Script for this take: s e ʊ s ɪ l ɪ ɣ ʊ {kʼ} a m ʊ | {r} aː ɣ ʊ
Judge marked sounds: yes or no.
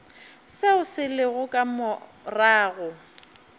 yes, yes

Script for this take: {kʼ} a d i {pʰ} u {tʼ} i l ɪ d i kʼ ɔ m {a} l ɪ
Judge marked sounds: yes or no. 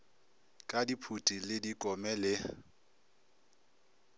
yes, yes, yes, no

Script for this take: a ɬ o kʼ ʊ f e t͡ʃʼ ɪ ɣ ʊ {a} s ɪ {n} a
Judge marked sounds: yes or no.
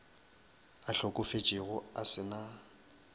yes, yes

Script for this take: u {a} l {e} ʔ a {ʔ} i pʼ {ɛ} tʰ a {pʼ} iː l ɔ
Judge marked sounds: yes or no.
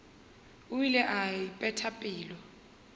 no, no, no, yes, yes

